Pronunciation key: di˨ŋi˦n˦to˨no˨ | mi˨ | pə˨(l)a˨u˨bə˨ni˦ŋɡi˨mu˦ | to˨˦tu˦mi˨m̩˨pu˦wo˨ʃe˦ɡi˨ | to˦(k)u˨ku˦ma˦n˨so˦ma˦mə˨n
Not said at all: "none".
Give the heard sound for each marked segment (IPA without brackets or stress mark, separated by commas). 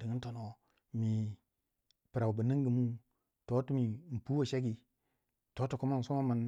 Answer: ɾ, t